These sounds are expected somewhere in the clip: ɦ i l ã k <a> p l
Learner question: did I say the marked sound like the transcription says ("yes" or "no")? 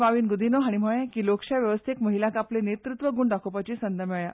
yes